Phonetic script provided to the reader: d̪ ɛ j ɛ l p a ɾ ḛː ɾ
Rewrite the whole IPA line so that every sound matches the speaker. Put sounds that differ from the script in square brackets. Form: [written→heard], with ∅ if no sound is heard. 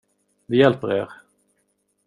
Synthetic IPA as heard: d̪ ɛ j ɛ l p [a→ə] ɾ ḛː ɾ